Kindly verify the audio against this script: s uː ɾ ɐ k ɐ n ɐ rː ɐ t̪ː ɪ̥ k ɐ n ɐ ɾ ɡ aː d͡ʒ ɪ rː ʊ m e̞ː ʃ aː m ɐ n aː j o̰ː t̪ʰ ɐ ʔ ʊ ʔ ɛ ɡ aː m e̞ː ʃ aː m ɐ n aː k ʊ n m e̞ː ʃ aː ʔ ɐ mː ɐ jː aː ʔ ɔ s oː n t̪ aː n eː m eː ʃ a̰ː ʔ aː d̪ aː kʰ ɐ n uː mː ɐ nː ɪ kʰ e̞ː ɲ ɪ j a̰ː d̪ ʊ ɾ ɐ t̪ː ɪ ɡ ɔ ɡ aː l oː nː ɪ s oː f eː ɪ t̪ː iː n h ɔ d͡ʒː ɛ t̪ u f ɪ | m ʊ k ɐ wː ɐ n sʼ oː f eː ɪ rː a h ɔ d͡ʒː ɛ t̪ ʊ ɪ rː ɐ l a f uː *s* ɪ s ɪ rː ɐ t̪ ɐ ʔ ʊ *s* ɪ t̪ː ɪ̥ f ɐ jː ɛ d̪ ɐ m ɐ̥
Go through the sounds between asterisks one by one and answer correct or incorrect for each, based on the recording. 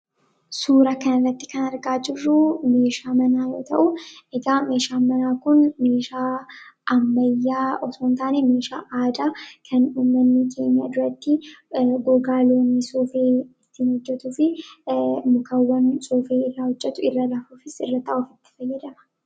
incorrect, incorrect

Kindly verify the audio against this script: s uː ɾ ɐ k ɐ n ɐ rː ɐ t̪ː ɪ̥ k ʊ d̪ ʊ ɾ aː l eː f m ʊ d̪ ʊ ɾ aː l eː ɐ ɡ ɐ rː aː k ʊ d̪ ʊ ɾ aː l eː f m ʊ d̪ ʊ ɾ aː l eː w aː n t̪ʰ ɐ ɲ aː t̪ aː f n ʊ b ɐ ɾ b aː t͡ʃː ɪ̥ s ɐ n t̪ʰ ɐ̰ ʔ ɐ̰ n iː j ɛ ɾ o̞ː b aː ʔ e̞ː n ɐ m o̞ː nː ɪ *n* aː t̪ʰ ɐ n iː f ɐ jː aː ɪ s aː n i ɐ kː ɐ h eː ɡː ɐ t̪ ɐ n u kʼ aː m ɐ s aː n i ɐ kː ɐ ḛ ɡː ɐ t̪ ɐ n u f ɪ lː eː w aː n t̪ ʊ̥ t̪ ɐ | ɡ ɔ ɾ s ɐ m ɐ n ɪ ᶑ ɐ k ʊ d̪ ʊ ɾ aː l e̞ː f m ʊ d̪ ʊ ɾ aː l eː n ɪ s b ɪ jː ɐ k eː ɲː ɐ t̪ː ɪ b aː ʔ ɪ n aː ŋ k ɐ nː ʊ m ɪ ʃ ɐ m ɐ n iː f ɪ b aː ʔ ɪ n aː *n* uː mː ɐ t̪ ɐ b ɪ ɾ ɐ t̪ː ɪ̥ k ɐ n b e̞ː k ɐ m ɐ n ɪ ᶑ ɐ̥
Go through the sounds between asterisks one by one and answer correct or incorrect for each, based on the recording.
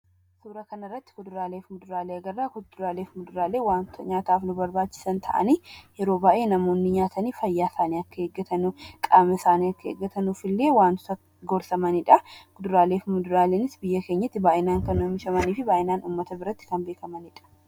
incorrect, correct

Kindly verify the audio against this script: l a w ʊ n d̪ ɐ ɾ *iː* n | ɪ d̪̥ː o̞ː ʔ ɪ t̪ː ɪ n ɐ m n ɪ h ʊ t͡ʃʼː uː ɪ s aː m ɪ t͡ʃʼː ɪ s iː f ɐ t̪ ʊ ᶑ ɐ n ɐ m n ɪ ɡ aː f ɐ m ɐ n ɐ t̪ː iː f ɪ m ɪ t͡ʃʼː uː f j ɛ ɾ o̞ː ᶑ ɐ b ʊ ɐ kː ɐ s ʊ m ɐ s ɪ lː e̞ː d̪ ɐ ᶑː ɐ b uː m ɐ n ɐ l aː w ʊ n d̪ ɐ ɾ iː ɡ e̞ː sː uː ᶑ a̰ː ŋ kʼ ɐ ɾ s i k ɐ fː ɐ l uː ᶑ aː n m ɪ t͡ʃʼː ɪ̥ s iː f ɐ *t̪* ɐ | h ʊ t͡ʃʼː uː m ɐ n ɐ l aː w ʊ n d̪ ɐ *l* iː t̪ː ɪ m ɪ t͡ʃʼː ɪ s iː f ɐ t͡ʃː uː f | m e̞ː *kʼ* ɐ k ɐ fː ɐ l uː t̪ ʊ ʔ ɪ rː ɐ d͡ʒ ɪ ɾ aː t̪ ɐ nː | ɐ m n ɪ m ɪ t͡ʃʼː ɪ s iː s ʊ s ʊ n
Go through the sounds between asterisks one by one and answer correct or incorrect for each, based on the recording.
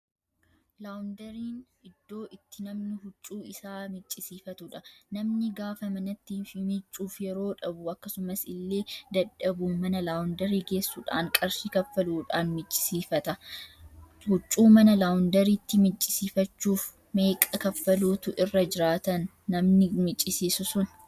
correct, correct, incorrect, correct

